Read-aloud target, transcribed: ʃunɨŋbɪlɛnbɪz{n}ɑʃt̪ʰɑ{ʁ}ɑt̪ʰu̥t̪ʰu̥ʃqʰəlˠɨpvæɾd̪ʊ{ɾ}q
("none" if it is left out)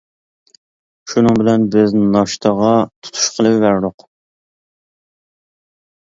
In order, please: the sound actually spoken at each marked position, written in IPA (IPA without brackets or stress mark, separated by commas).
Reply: n, ʁ, none